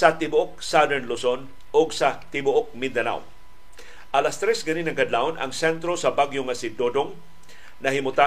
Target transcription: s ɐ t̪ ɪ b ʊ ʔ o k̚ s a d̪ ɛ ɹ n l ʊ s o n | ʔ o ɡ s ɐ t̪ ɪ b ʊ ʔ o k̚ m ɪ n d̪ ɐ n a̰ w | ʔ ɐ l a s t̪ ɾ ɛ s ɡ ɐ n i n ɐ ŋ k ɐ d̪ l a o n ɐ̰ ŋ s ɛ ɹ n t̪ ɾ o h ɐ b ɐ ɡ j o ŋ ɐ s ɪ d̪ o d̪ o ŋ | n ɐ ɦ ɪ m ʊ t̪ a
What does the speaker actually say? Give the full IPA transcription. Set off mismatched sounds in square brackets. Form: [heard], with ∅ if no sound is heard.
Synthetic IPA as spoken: s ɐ t̪ ɪ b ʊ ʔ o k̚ s a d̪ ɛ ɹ n l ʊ s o n | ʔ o ɡ s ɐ t̪ ɪ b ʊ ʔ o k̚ m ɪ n d̪ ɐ n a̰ w | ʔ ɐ l a s t̪ ɾ ɛ s ɡ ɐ n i n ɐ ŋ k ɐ d̪ l a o n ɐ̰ ŋ s ɛ [∅] n t̪ ɾ o [s] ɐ b [a] ɡ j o ŋ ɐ s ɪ d̪ o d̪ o ŋ | n ɐ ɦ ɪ m ʊ t̪ a